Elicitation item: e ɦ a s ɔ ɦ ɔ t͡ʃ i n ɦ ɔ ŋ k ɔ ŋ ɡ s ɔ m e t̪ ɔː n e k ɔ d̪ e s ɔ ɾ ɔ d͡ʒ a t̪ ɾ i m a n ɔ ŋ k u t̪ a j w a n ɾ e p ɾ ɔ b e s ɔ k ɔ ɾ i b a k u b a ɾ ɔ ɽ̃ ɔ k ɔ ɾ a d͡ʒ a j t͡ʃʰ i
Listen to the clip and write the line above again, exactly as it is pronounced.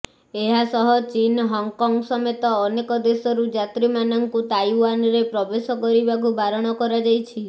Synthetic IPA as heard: e ɦ a s ɔ ɦ ɔ t͡ʃ i n ɦ ɔ ŋ k ɔ ŋ ɡ s ɔ m e t̪ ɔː n e k ɔ d̪ e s ɔ ɾ u d͡ʒ a t̪ ɾ i m a n ɔ ŋ k u t̪ a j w a n ɾ e p ɾ ɔ b e s ɔ k ɔ ɾ i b a k u b a ɾ ɔ ɽ̃ ɔ k ɔ ɾ a d͡ʒ a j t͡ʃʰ i